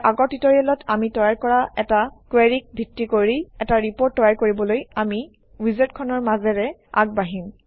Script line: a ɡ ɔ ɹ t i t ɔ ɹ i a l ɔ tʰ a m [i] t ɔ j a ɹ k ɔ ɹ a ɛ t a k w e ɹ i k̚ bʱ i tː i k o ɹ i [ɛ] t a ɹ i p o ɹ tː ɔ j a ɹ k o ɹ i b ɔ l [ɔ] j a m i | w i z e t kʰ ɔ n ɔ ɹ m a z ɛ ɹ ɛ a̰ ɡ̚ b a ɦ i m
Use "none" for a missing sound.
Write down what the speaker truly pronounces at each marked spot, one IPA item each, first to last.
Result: i, ɛ, o

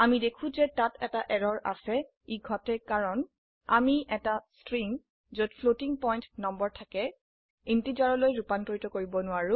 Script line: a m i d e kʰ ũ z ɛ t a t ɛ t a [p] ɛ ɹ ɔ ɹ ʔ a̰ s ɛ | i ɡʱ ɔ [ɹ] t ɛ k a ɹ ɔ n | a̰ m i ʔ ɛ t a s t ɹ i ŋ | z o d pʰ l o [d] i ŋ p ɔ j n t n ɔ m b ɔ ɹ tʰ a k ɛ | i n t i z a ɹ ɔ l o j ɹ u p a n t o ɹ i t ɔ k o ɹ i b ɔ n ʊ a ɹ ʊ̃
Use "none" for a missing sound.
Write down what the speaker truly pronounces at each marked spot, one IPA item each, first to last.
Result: ʔ, none, t

